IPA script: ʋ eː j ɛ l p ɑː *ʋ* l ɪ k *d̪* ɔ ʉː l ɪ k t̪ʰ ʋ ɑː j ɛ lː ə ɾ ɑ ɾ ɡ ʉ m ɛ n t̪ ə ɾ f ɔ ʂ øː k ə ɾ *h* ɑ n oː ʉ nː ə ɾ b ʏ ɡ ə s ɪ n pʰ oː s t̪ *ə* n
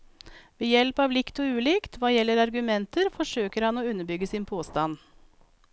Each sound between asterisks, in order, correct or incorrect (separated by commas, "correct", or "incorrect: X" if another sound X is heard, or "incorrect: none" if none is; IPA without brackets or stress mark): correct, incorrect: t̪, correct, incorrect: ɑ